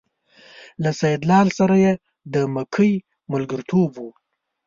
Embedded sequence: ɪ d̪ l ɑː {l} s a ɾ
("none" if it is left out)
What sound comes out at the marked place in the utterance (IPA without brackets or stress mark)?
l